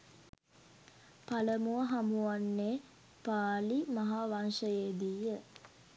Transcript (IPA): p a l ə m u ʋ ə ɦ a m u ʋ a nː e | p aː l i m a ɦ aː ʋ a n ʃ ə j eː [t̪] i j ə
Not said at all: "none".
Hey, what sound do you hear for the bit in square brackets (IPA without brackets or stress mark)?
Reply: d̪